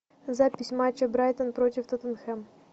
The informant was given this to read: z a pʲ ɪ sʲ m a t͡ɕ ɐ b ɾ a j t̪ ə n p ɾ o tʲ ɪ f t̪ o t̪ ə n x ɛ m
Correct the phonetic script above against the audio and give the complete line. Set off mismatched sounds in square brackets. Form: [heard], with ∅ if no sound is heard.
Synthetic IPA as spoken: z a pʲ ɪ sʲ m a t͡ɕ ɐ b ɾ a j t̪ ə n p ɾ o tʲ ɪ f t̪ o t̪ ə n x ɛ m